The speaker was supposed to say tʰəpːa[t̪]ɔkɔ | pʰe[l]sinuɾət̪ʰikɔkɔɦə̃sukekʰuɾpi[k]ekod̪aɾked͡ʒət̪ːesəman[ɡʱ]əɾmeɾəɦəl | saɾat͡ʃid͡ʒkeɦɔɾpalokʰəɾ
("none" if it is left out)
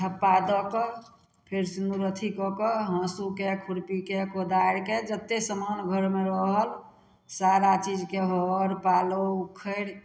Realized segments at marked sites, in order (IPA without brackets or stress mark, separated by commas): d̪, ɾ, k, ɡʱ